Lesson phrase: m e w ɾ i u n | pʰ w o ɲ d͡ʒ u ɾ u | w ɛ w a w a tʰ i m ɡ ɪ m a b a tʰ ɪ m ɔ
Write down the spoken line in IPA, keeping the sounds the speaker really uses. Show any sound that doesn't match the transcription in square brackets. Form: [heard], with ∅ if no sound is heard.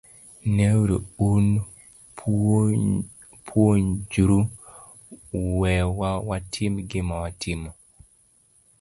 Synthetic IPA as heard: [n] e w ɾ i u n | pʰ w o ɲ d͡ʒ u ɾ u | w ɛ w a w a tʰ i m ɡ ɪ m a [w] a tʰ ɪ m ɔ